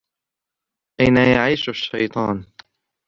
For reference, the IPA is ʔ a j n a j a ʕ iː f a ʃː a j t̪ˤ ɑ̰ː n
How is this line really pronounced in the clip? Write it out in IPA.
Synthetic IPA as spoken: ʔ a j n a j a ʕ iː ʃ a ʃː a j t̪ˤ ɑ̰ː n